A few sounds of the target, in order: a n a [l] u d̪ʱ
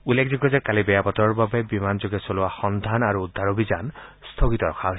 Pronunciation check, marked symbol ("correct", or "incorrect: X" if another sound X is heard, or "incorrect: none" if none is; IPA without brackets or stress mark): incorrect: ɹ